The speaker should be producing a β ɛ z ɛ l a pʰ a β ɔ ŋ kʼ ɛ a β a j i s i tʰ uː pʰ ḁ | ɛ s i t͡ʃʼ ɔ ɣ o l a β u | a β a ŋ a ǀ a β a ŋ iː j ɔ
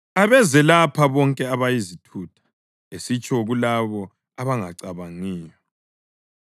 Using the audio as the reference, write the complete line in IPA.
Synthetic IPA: a β ɛ z ɛ l a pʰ a β ɔ ŋ kʼ ɛ a β a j i z i tʰ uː tʰ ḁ | e s i t͡ʃʼ ɔ ɣ u l a β ɔ | a β a ŋ a ǀ a β a ŋ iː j ɔ

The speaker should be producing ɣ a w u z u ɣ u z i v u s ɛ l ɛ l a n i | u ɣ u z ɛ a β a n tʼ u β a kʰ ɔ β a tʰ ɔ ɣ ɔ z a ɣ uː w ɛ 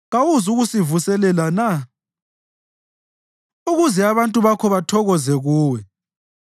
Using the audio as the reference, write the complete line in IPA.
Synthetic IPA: ɣ a w u z u ɣ u s i v u s ɛ l ɛ l a n a | u ɣ u z ɛ a β a n tʼ u β a kʰ ɔ β a tʰ ɔ ɣ ɔ z ɛ ɣ uː w ɛ

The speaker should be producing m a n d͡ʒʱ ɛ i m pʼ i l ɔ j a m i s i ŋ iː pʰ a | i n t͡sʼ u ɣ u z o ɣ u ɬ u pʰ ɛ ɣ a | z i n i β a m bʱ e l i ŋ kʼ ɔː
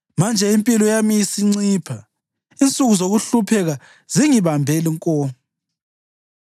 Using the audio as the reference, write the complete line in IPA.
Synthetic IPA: m a n d͡ʒʱ ɛ i m pʼ i l ɔ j a m i s i ŋ͡ǀ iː pʰ a | i n t͡sʼ u ɣ u z o ɣ u ɬ u pʰ ɛ ɣ a | z i ŋ i β a m bʱ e l i ŋ kʼ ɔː

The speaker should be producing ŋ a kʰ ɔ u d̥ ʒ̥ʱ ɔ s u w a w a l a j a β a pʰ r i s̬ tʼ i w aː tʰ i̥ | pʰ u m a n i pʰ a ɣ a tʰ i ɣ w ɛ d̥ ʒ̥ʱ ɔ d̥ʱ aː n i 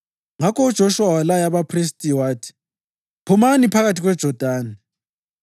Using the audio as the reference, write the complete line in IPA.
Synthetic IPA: ŋ a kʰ ɔ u d̥ ʒ̥ʱ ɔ ʃ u w a w a l a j a β a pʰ r i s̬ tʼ i w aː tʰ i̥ | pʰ u m a n i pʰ a ɣ a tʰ i ɣ w ɛ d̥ ʒ̥ʱ ɔ d̥ʱ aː n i

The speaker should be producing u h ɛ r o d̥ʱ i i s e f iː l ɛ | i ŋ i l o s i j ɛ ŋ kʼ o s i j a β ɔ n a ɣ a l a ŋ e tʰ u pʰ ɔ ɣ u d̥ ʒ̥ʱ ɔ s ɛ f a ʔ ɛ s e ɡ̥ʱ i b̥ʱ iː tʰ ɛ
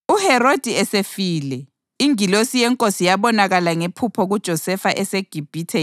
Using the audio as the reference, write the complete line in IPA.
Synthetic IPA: u h ɛ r o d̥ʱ i ɛ s e f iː l ɛ | i ŋ i l o s i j ɛ ŋ kʼ o s i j a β ɔ n a ɣ a l a ŋ e pʰ u pʰ ɔ ɣ u d̥ ʒ̥ʱ ɔ s ɛ f a ʔ ɛ s e ɡ̥ʱ i b̥ʱ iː tʰ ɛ

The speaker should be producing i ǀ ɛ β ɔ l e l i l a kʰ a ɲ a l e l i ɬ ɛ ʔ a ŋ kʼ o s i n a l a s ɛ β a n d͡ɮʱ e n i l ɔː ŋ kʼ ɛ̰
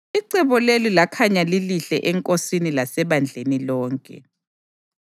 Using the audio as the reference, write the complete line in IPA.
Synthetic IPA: i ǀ ɛ β ɔ l e l i l a kʰ a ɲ a l i l i ɬ ɛ ʔ ɛ ŋ kʼ o s i n i l a s ɛ β a n d͡ɮʱ e n i l ɔː ŋ kʼ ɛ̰

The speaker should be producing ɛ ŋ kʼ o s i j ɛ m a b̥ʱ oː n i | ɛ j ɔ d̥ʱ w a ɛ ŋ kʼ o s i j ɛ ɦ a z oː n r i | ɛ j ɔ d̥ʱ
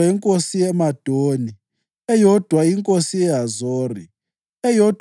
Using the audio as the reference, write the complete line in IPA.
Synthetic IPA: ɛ ŋ kʼ o s i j ɛ m a d̥ʱ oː n i | ɛ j ɔ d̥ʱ w a i ŋ kʼ o s i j ɛ ɦ a z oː r i | ɛ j ɔ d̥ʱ

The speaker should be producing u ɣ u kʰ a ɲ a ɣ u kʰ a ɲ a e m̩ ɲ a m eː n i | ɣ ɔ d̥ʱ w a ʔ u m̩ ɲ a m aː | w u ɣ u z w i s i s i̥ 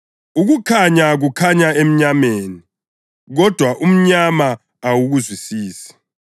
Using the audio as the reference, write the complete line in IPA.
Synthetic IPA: u ɣ u kʰ a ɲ a ɣ u kʰ a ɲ a e m̩ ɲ a m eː n i | ɣ ɔ d̥ʱ w a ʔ u m̩ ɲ a m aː | w u ɣ u z w i s iː s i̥

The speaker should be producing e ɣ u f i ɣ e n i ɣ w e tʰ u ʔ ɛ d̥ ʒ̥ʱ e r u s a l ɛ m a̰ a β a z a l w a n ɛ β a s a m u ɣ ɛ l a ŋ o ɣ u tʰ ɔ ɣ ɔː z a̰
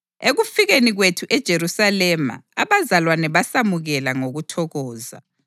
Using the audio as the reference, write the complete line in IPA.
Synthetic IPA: e ɣ u f i ɣ e n i ɣ w e tʰ u ʔ ɛ d̥ ʒ̥ʱ e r u s a l ɛ m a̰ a β a z a l w a n ɛ β a s a m u ɣ ɛ l a ŋ o ɣ u tʰ ɔ ɣ ɔː z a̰

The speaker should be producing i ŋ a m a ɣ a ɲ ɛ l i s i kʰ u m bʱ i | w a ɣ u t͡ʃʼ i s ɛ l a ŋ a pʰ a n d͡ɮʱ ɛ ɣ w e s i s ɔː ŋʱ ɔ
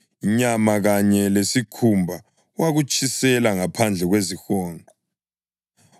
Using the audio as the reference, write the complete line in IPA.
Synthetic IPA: i ɲ a m a ɣ a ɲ ɛ l e s i kʰ u m bʱ a | w a ɣ u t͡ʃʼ i s ɛ l a ŋ a pʰ a n d͡ɮʱ ɛ ɣ w e z i x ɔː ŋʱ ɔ

